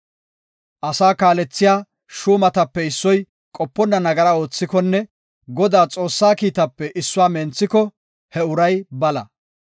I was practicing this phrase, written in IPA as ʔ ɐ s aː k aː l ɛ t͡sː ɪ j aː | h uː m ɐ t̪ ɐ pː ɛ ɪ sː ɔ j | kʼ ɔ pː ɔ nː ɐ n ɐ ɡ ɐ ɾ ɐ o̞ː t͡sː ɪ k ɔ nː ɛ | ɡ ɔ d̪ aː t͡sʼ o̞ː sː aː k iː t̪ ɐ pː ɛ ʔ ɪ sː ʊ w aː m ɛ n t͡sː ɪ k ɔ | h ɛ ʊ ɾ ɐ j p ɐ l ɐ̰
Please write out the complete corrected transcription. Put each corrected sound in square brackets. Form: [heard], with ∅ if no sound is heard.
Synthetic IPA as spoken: ʔ ɐ s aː k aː l ɛ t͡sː ɪ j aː | [ʃ] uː m ɐ t̪ ɐ pː ɛ ɪ sː ɔ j | kʼ ɔ pː ɔ nː ɐ n ɐ ɡ ɐ ɾ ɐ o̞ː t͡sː ɪ k ɔ nː ɛ | ɡ ɔ d̪ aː t͡sʼ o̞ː sː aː k iː t̪ ɐ pː ɛ ʔ ɪ sː ʊ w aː m ɛ n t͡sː ɪ k ɔ | h ɛ ʊ ɾ ɐ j [b] ɐ l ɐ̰